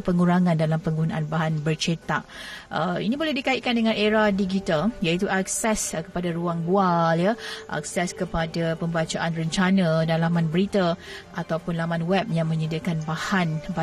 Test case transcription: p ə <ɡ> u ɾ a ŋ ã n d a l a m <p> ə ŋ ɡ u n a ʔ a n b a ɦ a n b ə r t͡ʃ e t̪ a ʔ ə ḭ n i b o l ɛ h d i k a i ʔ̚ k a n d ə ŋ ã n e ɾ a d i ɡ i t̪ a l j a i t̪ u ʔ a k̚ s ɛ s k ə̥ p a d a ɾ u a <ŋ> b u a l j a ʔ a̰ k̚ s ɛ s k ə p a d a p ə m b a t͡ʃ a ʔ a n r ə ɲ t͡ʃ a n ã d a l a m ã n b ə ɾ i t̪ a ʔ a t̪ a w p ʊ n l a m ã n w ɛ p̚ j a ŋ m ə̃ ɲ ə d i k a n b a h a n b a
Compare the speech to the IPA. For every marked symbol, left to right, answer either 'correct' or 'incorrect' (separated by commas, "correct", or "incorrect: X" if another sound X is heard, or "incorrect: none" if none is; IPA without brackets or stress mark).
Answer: incorrect: ŋ, correct, correct